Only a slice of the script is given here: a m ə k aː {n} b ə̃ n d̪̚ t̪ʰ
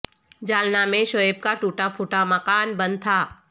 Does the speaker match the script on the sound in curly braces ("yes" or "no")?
yes